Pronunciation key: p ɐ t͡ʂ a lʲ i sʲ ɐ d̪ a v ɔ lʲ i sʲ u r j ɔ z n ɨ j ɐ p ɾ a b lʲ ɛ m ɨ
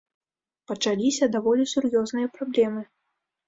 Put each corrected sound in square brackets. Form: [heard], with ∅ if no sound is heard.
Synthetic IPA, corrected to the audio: p ɐ t͡ʂ a lʲ i sʲ ɐ d̪ a v ɔ lʲ i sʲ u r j ɔ z n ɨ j ɐ p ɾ a b lʲ ɛ m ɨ